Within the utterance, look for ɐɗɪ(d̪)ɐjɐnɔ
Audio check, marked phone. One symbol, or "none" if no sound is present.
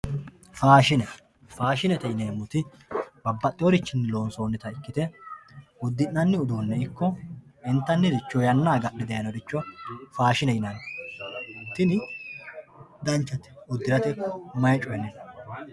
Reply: d̪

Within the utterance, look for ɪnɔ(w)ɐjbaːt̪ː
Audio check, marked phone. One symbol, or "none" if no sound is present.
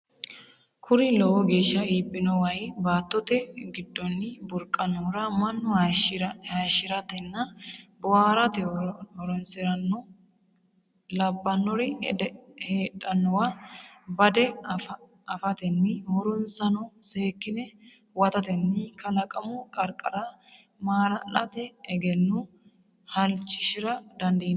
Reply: w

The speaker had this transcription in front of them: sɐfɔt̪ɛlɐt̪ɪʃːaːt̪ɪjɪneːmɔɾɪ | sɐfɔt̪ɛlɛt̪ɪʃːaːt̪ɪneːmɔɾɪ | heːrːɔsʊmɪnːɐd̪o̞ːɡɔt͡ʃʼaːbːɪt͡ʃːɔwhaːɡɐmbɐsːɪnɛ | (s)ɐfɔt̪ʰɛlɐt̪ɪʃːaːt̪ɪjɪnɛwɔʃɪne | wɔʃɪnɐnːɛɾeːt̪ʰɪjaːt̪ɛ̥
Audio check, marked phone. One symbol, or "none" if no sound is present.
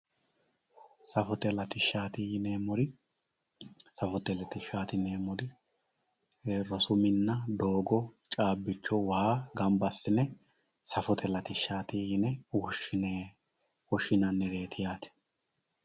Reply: s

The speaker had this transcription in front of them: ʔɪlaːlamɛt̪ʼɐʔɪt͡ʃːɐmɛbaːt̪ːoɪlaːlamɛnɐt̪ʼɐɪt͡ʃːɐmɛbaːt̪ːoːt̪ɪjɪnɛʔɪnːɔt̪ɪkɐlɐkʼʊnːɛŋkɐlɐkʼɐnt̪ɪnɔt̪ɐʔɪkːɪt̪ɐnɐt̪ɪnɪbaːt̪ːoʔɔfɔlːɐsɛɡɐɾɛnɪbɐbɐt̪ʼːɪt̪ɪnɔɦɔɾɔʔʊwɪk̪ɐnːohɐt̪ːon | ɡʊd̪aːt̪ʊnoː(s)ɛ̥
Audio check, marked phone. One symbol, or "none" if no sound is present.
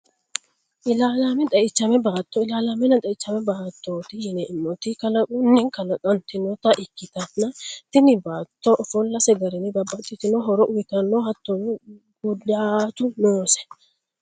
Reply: s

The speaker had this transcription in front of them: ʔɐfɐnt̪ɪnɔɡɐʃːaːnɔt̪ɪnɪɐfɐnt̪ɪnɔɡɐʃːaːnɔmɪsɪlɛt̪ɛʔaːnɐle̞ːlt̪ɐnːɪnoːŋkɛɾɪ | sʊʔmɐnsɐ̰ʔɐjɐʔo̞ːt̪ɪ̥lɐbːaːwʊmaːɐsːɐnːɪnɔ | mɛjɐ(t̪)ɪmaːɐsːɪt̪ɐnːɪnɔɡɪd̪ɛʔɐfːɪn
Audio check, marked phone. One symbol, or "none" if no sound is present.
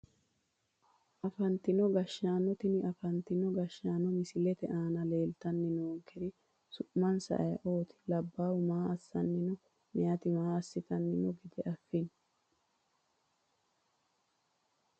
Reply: t̪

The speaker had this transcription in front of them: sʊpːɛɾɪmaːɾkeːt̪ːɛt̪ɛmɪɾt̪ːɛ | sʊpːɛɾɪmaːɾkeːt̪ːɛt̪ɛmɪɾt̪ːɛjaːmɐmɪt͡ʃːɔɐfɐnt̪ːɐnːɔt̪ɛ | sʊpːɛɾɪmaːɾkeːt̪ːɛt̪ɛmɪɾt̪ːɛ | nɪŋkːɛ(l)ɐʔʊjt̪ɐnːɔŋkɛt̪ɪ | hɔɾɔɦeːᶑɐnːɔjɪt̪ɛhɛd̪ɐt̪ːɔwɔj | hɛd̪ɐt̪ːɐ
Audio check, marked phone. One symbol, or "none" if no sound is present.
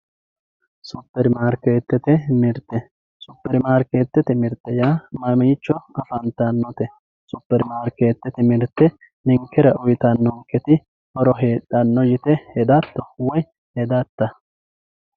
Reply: ɾ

